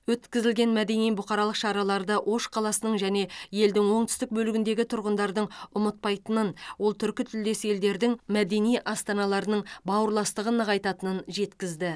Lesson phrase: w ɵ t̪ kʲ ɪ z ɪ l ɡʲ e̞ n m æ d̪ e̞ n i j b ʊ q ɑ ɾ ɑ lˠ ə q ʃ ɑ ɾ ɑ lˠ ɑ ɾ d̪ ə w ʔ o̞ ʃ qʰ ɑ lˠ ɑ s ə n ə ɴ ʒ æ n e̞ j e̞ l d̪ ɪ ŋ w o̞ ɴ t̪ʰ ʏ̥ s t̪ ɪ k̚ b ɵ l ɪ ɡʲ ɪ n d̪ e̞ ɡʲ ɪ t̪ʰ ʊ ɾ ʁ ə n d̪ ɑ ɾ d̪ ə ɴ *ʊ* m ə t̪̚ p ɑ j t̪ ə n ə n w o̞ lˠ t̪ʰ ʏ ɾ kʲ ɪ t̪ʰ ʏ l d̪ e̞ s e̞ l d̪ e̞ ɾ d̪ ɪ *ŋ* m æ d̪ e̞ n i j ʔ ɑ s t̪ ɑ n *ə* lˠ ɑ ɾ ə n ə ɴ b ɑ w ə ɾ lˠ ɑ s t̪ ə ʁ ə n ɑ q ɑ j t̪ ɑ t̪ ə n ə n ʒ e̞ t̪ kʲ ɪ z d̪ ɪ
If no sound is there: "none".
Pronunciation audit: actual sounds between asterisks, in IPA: ʊ, ŋ, ɑ

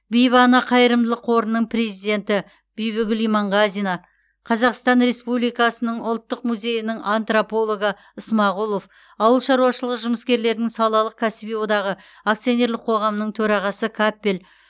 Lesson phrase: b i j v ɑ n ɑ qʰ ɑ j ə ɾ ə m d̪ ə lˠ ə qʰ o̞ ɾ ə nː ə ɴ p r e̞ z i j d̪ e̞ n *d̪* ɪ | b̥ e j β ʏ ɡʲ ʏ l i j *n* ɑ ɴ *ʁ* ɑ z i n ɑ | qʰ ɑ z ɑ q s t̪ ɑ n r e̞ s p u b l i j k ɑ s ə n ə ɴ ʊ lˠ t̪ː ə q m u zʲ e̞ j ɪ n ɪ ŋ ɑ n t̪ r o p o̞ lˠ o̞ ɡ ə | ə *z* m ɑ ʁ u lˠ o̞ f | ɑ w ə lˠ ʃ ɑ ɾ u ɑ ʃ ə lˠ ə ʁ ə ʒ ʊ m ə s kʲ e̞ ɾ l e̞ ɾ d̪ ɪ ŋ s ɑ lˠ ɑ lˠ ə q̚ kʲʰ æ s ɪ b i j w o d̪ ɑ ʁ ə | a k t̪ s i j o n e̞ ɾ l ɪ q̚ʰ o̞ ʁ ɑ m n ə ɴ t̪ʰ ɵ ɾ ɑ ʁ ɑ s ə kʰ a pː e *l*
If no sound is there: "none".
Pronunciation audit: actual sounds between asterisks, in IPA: t̪, m, ʁ, s, l

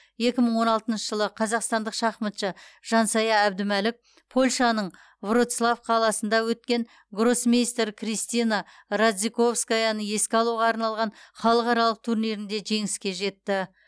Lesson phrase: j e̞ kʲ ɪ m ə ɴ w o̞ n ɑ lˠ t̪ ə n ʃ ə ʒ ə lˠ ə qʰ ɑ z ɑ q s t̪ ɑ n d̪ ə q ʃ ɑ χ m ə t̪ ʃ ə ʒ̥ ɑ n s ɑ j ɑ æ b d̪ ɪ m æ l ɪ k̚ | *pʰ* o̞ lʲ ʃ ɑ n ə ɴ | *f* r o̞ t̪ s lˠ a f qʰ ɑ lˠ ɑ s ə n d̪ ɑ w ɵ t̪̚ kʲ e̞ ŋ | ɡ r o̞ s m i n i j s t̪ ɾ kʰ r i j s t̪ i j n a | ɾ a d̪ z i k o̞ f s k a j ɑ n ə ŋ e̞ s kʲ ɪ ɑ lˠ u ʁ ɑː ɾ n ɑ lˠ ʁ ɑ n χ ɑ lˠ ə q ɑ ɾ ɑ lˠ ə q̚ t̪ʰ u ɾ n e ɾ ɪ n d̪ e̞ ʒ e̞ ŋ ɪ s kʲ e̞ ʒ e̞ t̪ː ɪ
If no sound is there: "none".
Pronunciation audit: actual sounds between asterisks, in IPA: pʰ, v

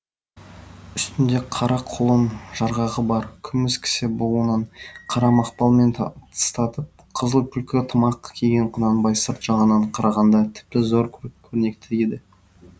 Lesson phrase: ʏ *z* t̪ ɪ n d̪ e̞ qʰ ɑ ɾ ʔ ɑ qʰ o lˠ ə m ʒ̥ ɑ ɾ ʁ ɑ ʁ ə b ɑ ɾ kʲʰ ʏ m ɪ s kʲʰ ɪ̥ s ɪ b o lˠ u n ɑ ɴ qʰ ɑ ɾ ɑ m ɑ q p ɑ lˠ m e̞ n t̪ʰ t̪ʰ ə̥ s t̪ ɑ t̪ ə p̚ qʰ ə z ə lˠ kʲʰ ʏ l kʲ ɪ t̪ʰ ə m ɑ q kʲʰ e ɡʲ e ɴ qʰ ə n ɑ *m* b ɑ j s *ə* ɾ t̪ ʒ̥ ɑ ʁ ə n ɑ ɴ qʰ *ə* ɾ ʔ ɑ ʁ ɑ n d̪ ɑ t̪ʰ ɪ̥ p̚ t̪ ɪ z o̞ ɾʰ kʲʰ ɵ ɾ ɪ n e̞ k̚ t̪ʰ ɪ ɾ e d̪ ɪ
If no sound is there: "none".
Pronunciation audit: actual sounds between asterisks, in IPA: s, n, ə, ɑ

